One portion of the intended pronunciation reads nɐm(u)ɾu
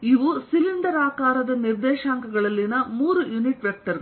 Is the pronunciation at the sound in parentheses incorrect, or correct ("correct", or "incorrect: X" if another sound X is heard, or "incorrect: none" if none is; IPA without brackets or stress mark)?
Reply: incorrect: uː